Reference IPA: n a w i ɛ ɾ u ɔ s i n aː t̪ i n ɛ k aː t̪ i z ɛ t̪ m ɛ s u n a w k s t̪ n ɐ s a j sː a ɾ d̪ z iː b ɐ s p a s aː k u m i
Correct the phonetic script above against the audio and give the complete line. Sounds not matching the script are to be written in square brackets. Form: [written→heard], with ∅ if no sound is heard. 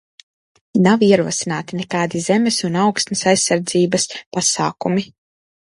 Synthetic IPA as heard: n a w i ɛ ɾ u ɔ s i n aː t̪ i n ɛ k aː [t̪→d̪] i z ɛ [t̪→∅] m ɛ s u n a w k s t̪ n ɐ s a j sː a ɾ d̪ z iː b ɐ s p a s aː k u m i